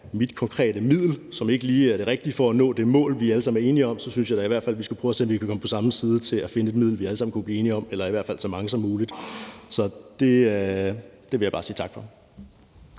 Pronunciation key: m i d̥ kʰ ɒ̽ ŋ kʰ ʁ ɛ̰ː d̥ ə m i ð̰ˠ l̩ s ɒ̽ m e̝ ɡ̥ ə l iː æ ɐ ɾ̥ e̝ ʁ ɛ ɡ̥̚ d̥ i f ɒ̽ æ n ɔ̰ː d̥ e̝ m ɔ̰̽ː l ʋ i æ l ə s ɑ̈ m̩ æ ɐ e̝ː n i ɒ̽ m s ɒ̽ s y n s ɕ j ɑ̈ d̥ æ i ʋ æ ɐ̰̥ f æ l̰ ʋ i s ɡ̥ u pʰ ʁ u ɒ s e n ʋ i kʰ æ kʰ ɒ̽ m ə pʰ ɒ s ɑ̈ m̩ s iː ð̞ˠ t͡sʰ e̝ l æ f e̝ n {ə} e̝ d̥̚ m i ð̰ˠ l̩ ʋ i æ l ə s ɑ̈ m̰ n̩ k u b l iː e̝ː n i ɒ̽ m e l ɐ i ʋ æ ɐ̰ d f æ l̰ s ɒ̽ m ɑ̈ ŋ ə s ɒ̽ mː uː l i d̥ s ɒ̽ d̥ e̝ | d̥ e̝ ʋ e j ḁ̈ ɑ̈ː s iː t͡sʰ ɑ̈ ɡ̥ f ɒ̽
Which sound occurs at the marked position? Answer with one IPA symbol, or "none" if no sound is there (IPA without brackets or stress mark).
ə